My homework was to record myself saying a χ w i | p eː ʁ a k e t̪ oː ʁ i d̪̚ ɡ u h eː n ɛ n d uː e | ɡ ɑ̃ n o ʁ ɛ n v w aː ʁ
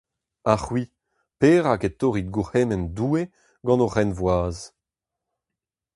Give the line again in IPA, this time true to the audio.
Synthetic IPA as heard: a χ w i | p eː ʁ a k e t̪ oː ʁ i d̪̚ ɡ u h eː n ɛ n d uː e | ɡ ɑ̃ n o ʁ ɛ n v w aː z